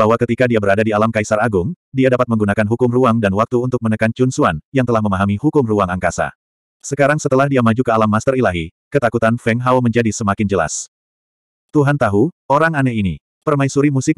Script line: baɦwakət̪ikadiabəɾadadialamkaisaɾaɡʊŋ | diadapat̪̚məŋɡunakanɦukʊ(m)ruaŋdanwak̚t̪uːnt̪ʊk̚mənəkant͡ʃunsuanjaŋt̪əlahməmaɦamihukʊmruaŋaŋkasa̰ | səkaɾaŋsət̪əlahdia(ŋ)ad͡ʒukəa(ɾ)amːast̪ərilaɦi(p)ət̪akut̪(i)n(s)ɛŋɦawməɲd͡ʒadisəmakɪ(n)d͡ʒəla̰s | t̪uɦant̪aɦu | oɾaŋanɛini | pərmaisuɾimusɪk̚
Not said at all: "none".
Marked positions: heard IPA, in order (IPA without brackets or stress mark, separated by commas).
m, m, l, k, a, f, n